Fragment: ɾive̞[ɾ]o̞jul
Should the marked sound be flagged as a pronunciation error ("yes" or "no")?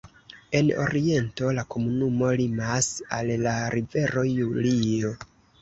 no